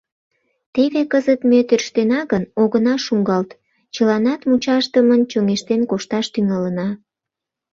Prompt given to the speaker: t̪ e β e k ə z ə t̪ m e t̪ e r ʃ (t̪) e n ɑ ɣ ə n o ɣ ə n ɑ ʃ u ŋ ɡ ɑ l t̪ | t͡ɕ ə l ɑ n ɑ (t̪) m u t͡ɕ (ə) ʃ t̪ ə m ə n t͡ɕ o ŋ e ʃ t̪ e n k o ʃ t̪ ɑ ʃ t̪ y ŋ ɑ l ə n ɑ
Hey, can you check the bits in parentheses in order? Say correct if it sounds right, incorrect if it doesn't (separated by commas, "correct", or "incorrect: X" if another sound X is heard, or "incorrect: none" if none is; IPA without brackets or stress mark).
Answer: correct, correct, incorrect: ɑ